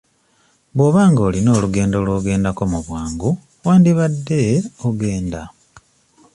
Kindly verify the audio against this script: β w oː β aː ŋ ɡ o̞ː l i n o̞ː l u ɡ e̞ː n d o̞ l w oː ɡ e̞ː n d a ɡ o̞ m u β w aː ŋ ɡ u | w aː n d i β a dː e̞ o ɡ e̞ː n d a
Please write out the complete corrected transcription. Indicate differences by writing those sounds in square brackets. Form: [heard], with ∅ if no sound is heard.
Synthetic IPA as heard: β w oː β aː ŋ ɡ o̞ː l i n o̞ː l u ɡ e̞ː n d o̞ l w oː ɡ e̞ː n d a [k] o̞ m u β w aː ŋ ɡ u | w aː n d i β a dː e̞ o ɡ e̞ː n d a